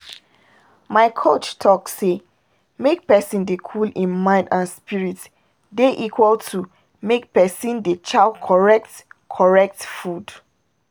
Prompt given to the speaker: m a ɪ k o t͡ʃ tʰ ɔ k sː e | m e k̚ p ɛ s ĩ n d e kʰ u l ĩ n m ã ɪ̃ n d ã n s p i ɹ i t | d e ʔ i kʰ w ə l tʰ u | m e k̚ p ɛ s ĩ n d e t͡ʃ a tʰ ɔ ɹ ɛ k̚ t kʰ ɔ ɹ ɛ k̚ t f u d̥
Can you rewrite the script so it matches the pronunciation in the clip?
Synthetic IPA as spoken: m a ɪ kʰ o t͡ʃ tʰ ɔ k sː e | m e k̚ p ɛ s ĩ n d e kʰ u l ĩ n m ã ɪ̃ n d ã n s p i ɹ i t | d e ʔ i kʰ w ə l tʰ u | m e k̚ p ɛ s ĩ n d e t͡ʃ a kʰ ɔ ɹ ɛ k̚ t kʰ ɔ ɹ ɛ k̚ t f u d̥